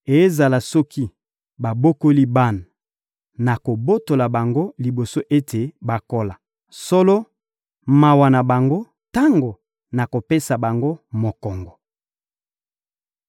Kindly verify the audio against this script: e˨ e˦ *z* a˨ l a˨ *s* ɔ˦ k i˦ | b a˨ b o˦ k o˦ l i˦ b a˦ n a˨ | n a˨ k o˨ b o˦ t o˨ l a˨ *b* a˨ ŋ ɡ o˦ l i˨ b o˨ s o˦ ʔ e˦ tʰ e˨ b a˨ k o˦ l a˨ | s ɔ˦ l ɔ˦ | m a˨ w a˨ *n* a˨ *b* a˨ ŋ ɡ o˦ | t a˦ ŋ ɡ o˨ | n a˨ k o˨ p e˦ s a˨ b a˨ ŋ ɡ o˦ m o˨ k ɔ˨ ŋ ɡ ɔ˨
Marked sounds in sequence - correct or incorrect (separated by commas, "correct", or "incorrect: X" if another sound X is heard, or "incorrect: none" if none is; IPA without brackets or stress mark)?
correct, correct, correct, correct, correct